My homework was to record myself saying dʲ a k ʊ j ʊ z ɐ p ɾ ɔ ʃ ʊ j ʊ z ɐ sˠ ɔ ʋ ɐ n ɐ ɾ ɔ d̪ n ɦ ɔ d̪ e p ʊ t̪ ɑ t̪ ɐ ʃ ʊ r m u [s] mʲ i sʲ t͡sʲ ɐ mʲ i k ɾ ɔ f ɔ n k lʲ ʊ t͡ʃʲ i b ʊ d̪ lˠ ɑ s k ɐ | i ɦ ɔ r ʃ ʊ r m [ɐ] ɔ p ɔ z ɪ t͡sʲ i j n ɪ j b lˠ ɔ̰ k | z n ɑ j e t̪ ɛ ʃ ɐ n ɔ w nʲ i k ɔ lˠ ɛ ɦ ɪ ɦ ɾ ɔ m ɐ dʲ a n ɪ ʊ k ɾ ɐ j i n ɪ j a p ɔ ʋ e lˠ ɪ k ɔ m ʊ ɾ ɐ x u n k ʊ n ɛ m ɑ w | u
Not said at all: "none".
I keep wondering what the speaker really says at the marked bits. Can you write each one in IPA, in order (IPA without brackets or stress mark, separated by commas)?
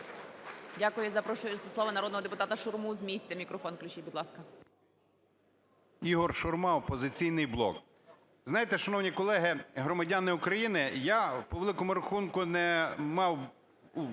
z, ɑ